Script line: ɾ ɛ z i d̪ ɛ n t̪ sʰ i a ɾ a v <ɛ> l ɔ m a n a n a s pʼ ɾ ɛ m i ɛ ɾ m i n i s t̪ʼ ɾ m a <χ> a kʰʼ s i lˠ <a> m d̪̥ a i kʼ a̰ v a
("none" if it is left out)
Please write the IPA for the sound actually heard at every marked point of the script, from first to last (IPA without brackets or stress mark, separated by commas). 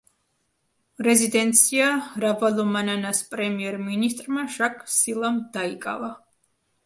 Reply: a, ʃ, a